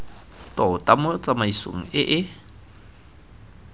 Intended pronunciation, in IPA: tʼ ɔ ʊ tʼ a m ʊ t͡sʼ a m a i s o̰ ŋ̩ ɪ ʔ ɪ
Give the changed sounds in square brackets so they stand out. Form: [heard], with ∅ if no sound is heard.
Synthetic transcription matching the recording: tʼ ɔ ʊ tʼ a m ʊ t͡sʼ a m a i s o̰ ŋ̩ ɪ ʔ ɪ